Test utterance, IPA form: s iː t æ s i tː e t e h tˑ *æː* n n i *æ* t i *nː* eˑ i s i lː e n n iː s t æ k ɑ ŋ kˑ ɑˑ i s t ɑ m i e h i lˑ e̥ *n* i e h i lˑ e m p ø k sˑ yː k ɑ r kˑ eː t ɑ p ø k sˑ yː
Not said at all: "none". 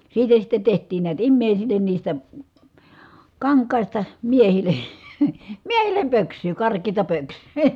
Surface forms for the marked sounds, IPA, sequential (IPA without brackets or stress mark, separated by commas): iː, æ, mː, m